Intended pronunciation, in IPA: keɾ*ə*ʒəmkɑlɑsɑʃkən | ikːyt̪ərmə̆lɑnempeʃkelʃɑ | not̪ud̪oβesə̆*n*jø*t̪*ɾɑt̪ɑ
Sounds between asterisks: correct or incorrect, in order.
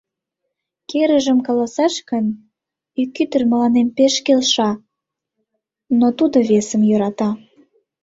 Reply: correct, incorrect: m, incorrect: none

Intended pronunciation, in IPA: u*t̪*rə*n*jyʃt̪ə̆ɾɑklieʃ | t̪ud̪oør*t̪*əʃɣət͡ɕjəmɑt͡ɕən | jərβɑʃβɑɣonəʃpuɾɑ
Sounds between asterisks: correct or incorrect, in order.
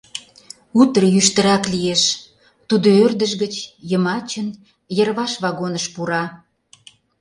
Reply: correct, incorrect: none, incorrect: d̪

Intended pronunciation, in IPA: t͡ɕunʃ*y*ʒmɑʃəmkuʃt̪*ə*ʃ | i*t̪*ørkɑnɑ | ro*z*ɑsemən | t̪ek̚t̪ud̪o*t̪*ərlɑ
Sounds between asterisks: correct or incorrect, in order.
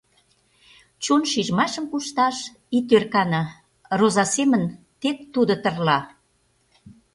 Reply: incorrect: i, incorrect: ɑ, correct, correct, correct

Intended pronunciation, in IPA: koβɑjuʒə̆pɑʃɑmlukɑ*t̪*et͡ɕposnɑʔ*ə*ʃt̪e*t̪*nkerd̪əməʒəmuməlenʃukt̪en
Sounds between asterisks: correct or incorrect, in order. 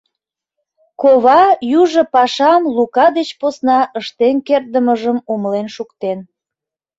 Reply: incorrect: d̪, correct, incorrect: none

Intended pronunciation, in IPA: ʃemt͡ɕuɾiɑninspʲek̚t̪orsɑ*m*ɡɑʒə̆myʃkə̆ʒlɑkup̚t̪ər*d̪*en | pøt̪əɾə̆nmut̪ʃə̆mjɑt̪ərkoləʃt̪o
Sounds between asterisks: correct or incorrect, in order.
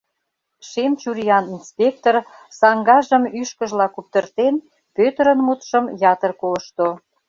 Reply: incorrect: ŋ, incorrect: t̪

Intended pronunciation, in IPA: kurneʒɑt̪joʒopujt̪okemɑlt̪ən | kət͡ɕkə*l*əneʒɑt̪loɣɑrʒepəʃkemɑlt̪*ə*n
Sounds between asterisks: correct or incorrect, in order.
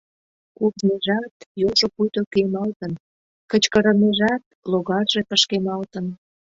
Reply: incorrect: ɾ, correct

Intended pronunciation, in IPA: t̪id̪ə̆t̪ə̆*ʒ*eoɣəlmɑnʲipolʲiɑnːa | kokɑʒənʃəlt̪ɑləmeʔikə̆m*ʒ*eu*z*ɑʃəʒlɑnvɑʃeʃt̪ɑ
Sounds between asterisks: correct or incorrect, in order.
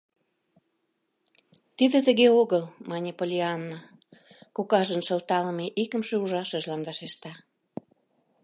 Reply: incorrect: ɣ, incorrect: ʃ, incorrect: ʒ

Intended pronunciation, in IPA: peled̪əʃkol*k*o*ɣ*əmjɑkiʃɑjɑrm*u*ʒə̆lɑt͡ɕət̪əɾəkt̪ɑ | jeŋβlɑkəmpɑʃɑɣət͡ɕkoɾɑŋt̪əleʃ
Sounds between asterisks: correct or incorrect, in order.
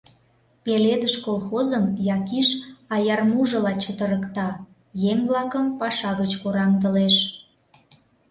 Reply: incorrect: x, incorrect: z, correct

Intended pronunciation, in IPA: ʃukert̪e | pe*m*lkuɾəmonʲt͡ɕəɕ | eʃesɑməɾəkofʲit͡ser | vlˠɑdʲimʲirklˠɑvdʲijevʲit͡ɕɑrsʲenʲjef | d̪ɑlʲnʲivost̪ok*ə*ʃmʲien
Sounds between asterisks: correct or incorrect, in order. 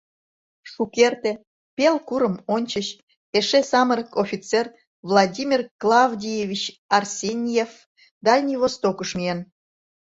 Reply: incorrect: none, correct

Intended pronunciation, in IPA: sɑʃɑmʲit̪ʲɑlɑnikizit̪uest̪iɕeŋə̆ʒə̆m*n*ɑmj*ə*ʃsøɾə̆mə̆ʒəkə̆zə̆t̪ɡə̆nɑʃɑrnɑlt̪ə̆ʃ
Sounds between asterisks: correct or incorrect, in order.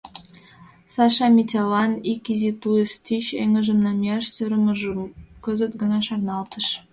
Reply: correct, incorrect: ɑ

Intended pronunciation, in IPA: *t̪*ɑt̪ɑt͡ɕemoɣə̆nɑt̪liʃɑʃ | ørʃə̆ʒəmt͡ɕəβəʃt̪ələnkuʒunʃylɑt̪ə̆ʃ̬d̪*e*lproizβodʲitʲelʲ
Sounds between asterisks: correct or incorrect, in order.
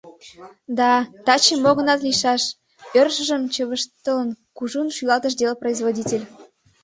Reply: incorrect: d̪, correct

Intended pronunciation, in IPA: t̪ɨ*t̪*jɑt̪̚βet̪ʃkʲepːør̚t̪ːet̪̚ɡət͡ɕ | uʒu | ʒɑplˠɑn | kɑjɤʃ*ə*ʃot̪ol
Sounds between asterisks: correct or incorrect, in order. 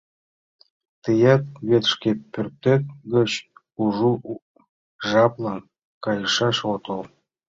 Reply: incorrect: none, incorrect: ɑ

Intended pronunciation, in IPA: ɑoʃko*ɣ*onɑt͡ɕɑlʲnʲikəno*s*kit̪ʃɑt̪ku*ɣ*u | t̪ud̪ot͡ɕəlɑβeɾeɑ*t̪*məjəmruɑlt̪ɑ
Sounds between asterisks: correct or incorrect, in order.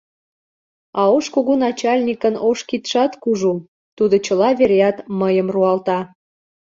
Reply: correct, incorrect: ʃ, incorrect: ʒ, correct

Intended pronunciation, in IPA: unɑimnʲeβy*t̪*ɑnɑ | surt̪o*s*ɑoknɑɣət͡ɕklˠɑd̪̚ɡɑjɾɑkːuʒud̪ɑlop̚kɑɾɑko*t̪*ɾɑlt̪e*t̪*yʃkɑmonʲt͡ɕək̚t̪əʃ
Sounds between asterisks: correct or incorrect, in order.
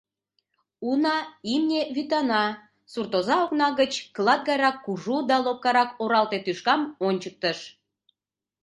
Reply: correct, incorrect: z, incorrect: none, correct

